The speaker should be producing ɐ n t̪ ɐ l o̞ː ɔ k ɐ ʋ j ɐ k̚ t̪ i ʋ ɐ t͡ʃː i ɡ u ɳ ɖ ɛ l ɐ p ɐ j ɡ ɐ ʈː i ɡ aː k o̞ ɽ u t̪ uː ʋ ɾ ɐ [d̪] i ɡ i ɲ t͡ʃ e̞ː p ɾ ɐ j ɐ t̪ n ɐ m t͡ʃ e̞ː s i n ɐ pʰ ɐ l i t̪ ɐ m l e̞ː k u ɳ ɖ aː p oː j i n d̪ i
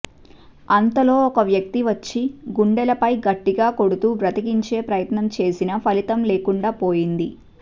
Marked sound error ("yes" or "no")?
yes